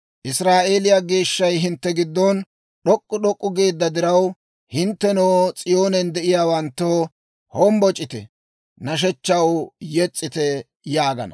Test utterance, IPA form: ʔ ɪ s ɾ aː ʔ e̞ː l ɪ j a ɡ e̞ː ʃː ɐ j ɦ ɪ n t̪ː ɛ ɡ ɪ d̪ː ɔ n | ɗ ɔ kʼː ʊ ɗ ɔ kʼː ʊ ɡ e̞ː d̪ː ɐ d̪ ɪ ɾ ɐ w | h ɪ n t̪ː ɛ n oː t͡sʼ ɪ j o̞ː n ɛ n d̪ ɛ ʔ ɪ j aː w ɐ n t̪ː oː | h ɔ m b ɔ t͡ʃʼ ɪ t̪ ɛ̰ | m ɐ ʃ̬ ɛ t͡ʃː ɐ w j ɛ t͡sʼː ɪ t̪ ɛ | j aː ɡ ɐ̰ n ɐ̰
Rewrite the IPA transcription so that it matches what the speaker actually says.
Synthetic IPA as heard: ʔ ɪ s ɾ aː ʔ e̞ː l ɪ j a ɡ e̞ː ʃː ɐ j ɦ ɪ n t̪ː ɛ ɡ ɪ d̪ː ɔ n | ɗ ɔ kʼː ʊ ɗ ɔ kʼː ʊ ɡ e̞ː d̪ː ɐ d̪ ɪ ɾ ɐ w | h ɪ n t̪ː ɛ n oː t͡sʼ ɪ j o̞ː n ɛ n d̪ ɛ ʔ ɪ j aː w ɐ n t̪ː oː | h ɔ m b ɔ t͡ʃʼ ɪ t̪ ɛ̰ | n ɐ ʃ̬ ɛ t͡ʃː ɐ w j ɛ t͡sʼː ɪ t̪ ɛ | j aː ɡ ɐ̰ n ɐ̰